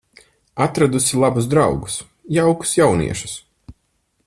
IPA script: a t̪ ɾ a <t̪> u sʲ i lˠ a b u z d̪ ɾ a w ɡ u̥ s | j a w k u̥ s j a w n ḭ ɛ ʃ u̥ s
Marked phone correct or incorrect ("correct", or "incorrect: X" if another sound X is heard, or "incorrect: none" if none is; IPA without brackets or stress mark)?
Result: incorrect: d̪